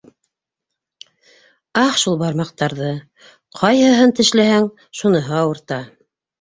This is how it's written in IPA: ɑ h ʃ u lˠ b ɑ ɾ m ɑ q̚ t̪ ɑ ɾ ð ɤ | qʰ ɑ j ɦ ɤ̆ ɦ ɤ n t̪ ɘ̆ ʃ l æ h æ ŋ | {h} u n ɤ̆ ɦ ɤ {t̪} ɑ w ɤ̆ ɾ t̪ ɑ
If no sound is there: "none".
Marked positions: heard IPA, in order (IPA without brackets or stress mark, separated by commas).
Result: ʃ, none